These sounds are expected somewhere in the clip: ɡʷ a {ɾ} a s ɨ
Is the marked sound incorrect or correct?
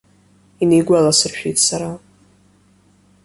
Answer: incorrect: l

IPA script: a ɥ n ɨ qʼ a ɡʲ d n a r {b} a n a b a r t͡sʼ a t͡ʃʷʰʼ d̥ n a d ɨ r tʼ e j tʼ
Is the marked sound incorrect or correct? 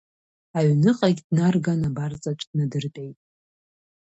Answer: incorrect: ɡ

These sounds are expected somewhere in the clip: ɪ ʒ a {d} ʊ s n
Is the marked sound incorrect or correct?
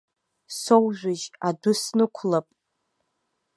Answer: correct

